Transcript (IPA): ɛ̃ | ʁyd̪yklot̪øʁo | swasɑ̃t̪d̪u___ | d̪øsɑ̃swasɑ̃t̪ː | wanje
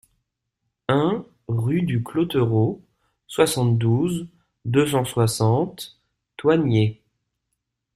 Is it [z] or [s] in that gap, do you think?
z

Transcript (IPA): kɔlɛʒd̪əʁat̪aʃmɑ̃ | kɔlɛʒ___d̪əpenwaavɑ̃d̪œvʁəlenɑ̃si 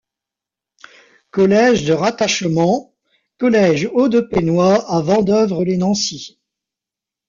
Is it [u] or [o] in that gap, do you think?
o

